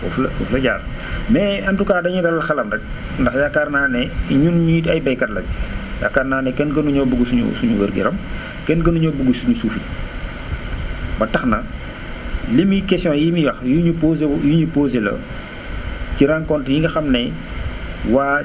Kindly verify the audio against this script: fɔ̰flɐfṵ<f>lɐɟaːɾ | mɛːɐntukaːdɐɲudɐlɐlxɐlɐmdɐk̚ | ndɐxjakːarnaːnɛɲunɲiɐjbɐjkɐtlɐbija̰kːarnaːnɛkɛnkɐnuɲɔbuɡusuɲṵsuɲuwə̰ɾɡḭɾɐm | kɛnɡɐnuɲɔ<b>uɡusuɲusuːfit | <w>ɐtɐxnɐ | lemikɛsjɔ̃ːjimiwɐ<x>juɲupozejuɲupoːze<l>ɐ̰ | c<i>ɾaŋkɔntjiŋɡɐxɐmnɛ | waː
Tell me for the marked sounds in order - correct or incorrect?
correct, correct, incorrect: b, correct, correct, correct

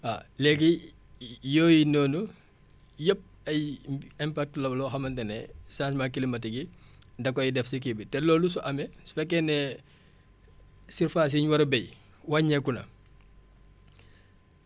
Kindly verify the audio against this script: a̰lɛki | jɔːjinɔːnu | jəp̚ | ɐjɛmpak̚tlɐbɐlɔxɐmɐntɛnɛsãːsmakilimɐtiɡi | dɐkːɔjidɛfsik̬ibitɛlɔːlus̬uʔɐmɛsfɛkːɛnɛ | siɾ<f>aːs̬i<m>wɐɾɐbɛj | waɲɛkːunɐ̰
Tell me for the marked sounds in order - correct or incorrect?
correct, incorrect: ɲ

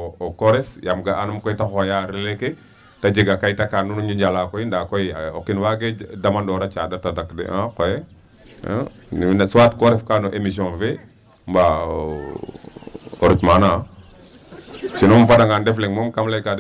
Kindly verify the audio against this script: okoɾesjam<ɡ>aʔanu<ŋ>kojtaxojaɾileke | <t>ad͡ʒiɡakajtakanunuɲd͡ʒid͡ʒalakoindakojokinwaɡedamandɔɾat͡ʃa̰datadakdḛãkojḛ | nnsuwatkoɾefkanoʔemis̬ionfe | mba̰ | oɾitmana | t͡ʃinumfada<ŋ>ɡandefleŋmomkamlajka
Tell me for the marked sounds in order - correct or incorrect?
correct, incorrect: m, correct, correct

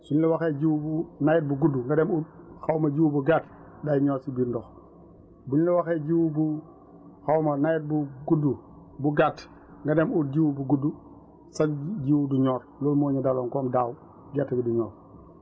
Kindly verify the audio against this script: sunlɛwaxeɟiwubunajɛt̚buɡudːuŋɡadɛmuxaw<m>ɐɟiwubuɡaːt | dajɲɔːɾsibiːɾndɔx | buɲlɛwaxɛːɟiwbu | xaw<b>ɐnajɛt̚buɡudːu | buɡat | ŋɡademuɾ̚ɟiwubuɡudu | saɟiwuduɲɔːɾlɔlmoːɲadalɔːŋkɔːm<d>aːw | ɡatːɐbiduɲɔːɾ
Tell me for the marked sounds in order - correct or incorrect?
correct, incorrect: m, correct

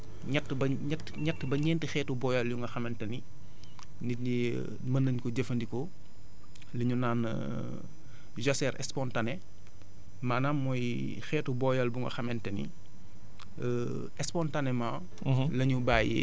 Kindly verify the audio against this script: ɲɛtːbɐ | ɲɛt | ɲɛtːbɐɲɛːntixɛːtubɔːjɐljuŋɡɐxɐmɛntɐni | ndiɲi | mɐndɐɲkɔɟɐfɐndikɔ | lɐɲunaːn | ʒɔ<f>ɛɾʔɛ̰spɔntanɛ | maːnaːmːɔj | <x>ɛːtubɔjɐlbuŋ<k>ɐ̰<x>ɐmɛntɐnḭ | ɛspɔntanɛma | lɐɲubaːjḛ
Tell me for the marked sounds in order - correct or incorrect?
incorrect: s, correct, incorrect: ɡ, correct

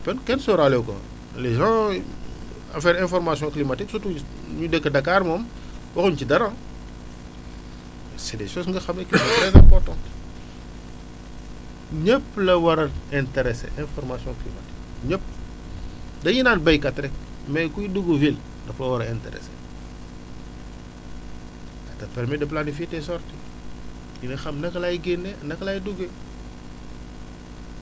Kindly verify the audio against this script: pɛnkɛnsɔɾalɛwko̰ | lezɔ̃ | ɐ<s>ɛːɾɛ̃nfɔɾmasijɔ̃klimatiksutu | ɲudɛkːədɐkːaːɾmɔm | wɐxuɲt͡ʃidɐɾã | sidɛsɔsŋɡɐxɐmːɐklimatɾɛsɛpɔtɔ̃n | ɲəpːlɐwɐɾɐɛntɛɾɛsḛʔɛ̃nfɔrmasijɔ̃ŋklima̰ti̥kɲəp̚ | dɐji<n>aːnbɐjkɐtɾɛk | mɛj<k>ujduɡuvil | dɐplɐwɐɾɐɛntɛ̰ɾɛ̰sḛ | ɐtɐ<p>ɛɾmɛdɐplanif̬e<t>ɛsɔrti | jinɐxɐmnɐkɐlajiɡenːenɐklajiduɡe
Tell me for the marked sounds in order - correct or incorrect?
incorrect: f, correct, correct, correct, correct

